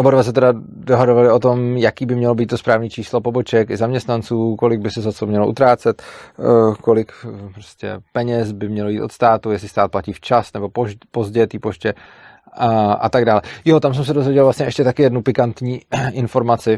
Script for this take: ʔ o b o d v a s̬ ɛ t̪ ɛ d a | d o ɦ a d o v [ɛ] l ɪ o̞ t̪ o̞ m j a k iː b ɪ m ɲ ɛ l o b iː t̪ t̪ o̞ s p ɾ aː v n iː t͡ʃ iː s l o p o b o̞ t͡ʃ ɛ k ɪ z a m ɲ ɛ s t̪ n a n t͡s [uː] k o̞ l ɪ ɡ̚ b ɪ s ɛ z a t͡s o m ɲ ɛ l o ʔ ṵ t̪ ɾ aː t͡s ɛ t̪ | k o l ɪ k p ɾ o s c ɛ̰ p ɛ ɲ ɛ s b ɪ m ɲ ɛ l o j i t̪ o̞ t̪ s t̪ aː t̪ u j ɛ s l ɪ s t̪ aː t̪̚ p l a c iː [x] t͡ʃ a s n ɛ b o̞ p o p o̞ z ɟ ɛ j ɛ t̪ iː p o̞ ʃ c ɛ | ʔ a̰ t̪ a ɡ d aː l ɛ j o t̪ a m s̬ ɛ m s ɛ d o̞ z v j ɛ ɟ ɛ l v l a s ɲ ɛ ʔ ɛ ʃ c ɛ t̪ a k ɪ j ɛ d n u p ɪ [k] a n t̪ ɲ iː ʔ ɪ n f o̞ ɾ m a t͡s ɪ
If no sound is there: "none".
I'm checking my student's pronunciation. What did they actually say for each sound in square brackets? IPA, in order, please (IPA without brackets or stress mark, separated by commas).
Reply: a, uː, f, k